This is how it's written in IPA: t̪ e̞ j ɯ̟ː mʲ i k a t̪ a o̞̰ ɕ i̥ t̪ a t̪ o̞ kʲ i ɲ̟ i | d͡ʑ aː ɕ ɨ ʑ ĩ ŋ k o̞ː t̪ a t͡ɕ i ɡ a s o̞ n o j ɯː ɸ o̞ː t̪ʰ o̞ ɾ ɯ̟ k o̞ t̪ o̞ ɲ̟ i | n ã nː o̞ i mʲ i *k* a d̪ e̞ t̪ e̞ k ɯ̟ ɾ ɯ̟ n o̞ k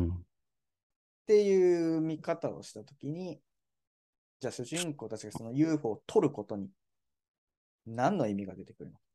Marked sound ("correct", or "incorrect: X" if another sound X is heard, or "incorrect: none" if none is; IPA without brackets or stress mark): incorrect: ɡ